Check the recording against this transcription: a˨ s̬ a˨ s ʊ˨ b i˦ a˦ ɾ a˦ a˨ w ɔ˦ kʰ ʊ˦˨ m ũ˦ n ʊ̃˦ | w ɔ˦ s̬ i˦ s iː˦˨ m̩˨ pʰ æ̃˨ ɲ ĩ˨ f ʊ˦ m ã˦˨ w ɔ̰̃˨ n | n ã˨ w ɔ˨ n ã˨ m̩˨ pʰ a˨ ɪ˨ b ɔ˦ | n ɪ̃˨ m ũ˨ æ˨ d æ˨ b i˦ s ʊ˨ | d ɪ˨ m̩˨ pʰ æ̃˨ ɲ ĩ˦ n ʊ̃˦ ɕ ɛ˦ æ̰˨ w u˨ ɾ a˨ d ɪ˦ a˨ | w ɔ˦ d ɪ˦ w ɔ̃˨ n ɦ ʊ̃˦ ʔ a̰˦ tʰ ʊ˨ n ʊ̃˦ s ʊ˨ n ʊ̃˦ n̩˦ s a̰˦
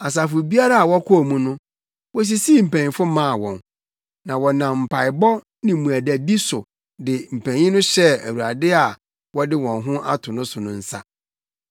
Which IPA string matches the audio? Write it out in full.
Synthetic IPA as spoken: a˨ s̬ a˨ f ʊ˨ b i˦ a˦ ɾ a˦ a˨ w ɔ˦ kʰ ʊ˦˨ m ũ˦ n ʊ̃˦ | w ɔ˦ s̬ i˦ s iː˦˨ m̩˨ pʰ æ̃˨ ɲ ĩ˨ f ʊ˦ m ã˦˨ w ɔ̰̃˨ n | n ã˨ w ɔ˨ n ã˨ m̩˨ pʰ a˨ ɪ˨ b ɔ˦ | n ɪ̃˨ m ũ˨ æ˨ d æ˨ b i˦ s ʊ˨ | d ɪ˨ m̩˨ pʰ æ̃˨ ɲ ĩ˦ n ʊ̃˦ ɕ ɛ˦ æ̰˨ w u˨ ɾ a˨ d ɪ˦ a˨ | w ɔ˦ d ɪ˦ w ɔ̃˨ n ɦ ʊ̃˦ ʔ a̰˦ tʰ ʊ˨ n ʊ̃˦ s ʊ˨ n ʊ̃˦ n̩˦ s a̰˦

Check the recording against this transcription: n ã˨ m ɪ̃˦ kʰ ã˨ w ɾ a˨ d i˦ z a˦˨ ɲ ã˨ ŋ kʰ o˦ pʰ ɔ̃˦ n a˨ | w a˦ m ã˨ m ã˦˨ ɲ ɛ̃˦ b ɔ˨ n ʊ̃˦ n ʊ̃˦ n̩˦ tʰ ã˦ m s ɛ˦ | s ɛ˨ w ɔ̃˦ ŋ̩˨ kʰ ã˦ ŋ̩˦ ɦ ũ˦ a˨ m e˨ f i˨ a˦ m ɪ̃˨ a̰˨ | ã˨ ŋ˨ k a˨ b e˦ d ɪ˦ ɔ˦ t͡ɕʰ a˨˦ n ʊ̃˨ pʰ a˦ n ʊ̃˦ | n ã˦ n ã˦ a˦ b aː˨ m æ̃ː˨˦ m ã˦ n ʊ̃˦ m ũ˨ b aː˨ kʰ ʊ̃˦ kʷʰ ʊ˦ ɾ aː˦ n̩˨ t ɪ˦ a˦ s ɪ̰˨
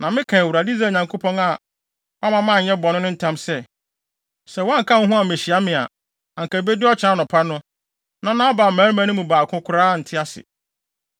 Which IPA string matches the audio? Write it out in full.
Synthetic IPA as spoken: n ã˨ m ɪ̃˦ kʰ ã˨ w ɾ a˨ d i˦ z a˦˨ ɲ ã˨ ŋ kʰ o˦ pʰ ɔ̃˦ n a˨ | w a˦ m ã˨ m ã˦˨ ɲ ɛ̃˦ b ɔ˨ n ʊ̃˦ n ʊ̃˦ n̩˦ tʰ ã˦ m s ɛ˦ | s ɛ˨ w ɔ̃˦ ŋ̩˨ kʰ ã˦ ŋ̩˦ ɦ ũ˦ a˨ m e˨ ɕ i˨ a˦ m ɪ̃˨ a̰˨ | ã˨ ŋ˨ k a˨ b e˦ d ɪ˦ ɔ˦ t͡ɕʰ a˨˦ n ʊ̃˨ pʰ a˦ n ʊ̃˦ | n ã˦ n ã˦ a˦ b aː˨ m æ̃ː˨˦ m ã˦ n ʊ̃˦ m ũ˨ b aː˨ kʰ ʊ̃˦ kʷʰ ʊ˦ ɾ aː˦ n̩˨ tʰ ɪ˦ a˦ s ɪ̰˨

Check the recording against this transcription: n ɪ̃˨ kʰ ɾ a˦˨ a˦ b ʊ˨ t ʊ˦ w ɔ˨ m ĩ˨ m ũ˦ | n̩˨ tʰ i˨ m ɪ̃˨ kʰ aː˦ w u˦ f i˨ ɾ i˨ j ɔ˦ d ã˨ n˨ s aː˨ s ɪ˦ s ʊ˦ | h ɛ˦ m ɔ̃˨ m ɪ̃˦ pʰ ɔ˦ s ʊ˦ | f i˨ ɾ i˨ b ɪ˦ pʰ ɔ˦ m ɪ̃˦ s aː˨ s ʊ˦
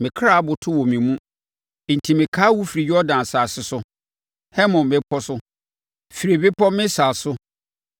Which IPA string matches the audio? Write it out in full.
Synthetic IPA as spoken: m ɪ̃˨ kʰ ɾ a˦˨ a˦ b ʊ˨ tʰ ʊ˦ w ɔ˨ m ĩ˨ m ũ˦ | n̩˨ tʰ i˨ m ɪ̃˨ kʰ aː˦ w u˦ f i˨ ɾ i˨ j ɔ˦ d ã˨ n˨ s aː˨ s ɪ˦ s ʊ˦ | h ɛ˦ m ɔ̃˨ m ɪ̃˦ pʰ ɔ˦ s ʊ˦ | f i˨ ɾ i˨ b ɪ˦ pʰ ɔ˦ m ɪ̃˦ s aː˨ s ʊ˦

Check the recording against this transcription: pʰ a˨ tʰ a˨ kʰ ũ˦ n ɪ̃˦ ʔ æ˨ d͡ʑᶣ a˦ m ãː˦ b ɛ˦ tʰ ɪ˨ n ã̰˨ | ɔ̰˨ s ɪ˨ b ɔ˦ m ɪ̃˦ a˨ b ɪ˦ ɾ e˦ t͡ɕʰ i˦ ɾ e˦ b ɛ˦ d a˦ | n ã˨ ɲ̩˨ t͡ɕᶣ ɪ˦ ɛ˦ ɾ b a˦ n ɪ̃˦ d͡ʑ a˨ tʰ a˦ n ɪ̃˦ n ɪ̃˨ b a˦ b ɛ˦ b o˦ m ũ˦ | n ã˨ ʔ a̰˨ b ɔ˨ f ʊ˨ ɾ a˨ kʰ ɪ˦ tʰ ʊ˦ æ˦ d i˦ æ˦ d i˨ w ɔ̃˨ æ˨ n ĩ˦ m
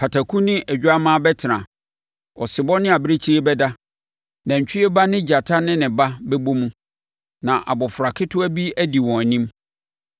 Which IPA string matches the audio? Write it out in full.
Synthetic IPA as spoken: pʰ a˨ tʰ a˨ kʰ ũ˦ n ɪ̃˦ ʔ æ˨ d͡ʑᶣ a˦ m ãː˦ b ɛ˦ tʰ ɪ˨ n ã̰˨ | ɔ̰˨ s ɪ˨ b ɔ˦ n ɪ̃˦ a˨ b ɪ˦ ɾ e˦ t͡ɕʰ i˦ ɾ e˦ b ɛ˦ d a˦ | n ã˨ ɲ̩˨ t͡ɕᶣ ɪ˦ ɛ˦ b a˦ n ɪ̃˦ d͡ʑ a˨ tʰ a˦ n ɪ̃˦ n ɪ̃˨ b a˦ b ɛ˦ b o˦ m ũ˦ | n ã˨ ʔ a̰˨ b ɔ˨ f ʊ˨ ɾ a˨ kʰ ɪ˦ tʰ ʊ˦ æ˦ b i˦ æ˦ d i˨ w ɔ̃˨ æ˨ n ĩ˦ m

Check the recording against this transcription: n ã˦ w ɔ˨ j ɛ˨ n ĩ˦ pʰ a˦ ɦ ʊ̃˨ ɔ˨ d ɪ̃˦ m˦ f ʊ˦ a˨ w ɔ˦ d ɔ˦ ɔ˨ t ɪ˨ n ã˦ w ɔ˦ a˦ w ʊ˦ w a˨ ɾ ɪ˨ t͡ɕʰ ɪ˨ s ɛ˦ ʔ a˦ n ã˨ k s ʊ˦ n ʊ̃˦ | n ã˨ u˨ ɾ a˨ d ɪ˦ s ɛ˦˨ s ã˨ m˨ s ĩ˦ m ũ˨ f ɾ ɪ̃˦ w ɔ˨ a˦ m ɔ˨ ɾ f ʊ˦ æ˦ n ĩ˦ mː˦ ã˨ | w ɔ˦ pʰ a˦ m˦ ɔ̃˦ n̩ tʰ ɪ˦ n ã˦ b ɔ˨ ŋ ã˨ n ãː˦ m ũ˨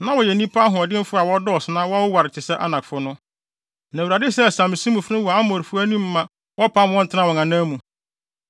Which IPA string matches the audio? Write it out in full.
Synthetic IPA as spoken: n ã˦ w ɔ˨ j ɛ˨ n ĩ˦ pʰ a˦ ɦ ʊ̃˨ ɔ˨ d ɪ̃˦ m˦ f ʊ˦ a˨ w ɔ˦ d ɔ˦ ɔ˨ s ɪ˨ n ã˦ w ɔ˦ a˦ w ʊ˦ w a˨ ɾ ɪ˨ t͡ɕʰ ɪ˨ s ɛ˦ ʔ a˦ n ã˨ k f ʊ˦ n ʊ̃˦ | n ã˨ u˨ ɾ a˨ d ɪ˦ s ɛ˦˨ s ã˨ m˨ s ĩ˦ m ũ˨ f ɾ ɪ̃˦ w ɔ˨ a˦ m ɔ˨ ɾ f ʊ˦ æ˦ n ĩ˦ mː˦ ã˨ | w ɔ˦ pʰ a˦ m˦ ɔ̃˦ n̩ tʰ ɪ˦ n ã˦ w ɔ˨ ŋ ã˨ n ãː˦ m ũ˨

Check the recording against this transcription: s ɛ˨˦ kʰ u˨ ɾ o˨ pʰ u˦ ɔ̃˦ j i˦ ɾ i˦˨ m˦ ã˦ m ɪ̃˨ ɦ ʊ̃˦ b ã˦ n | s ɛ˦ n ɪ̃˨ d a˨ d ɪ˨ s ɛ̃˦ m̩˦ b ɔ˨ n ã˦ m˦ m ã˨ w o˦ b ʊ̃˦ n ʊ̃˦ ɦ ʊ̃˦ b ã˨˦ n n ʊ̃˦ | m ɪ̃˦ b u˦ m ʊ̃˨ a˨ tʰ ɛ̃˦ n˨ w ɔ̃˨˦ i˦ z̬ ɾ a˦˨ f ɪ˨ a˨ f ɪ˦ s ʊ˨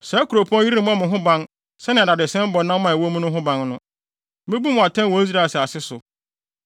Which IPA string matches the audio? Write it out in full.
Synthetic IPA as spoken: s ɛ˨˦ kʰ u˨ ɾ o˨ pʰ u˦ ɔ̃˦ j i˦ ɾ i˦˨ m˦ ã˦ m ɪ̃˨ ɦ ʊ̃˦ b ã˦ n | s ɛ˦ n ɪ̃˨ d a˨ d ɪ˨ s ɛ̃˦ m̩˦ b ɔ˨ n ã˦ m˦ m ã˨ w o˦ m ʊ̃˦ n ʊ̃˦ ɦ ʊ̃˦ b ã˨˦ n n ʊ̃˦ | m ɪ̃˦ b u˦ m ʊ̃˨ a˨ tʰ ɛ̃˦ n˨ w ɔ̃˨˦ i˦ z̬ ɾ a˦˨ s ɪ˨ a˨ s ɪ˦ s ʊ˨

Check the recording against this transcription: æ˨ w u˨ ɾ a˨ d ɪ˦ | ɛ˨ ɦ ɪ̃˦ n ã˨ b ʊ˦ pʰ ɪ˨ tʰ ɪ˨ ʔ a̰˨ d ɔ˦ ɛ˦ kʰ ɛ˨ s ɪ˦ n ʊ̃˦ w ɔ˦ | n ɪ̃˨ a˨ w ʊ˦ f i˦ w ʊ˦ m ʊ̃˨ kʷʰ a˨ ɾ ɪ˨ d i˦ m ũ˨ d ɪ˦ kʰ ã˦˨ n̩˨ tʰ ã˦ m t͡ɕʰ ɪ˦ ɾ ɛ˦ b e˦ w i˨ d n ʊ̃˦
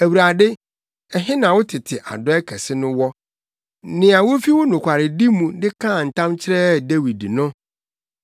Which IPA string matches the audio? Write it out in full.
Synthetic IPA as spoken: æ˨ w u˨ ɾ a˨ d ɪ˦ | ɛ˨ ɦ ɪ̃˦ n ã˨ w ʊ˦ tʰ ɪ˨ tʰ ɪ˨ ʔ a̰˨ d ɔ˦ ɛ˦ kʰ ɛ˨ s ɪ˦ n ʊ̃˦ w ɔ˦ | n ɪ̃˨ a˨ w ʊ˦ f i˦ w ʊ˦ n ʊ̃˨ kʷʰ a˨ ɾ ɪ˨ d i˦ m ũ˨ d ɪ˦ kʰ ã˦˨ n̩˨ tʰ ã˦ m t͡ɕʰ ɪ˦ ɾ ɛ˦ d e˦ w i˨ d n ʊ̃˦

